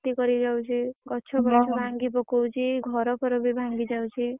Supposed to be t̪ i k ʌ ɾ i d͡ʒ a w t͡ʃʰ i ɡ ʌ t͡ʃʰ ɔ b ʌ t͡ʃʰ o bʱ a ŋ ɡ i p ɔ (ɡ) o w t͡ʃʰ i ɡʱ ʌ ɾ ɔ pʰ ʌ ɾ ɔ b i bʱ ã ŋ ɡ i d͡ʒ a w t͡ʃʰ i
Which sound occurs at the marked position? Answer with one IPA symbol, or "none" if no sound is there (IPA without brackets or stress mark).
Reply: k